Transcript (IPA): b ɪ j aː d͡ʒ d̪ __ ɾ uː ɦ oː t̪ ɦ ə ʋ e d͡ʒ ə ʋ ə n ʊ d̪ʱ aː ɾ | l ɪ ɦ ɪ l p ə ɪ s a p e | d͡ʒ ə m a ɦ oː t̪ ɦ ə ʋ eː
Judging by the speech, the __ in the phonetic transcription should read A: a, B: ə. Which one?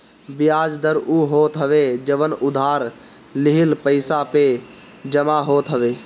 B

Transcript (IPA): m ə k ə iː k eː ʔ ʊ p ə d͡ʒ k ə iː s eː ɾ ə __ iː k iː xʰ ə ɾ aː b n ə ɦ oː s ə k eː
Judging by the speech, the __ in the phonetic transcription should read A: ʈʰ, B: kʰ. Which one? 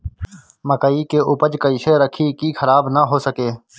B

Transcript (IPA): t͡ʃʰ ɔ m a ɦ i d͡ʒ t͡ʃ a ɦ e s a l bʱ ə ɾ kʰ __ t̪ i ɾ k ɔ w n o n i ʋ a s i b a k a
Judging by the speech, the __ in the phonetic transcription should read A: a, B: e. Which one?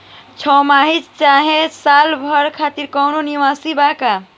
A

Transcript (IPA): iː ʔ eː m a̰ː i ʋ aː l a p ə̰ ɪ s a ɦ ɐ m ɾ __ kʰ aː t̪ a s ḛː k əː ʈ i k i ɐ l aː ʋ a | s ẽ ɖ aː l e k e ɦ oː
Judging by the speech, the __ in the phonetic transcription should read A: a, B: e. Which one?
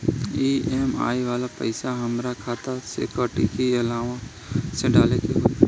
A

